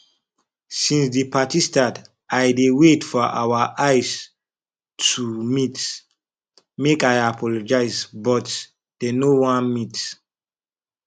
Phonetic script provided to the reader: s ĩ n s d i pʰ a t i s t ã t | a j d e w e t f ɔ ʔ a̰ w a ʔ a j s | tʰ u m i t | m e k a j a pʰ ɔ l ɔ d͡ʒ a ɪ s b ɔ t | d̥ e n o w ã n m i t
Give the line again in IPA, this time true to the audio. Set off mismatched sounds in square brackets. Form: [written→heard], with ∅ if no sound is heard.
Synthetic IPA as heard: s ĩ n s d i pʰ a t i s t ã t | a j d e w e t f ɔ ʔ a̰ w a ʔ a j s | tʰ u m i t | m e k a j a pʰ ɔ l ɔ d͡ʒ a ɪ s b ɔ t | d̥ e n o w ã n m i t